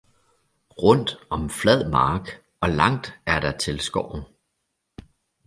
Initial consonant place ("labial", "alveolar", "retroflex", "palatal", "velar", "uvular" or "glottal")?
uvular